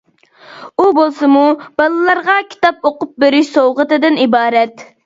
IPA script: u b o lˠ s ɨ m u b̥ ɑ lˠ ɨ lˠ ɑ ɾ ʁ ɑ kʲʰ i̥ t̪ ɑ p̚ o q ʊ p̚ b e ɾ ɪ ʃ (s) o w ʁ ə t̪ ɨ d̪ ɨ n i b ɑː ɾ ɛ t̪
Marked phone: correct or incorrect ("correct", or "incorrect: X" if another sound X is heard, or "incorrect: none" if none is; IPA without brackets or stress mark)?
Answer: correct